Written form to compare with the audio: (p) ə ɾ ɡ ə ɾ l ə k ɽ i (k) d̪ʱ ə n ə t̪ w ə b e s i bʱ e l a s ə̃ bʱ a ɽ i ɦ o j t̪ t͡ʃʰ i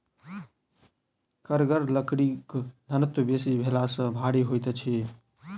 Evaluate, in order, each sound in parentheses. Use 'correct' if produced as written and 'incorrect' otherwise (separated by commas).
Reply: incorrect, correct